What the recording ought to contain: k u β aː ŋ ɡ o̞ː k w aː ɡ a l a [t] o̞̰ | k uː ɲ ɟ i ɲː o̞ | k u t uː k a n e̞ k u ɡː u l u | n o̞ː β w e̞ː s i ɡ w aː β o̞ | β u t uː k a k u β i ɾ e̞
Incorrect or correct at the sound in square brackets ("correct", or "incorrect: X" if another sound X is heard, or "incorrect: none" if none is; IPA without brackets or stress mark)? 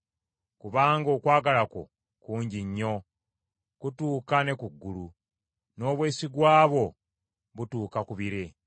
incorrect: k